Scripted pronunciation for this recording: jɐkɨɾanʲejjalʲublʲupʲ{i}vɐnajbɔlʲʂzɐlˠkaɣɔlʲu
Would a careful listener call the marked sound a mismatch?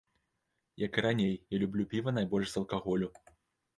no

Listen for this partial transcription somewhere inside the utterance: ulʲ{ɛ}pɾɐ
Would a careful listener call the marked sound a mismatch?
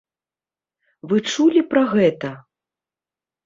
yes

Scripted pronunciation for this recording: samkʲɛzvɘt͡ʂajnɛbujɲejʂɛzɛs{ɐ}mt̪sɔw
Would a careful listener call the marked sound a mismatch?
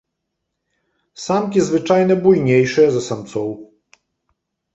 yes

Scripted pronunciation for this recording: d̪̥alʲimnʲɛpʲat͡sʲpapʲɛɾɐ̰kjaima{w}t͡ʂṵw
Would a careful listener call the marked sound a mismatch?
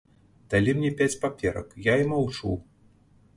no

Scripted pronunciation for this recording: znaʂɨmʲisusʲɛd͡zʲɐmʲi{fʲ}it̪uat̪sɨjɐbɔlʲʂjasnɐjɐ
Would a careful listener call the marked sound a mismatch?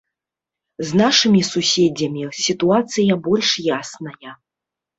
yes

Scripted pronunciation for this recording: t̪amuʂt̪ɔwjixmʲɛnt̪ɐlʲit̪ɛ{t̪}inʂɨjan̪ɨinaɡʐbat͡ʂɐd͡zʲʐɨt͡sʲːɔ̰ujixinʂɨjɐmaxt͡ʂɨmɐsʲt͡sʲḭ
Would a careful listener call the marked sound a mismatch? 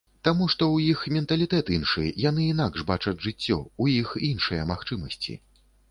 no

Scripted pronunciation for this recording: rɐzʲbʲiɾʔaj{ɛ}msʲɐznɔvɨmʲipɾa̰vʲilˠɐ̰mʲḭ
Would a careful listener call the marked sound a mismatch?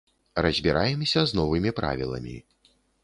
no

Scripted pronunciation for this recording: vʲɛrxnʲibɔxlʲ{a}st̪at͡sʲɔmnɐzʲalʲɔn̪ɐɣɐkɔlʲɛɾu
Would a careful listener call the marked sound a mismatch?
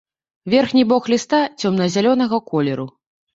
yes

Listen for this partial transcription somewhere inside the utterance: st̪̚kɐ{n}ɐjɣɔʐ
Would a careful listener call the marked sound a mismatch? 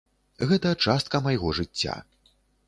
yes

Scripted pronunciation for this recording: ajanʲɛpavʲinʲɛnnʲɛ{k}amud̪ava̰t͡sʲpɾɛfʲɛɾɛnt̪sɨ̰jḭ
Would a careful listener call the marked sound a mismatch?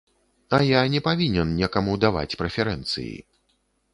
no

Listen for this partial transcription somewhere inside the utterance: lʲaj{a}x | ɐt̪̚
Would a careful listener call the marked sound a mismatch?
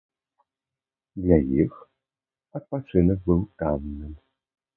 yes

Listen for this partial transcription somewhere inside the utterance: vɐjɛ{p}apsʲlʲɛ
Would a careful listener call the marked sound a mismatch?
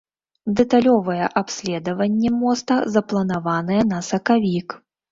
yes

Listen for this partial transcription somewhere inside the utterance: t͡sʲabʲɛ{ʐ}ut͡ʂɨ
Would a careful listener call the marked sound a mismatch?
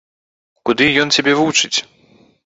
yes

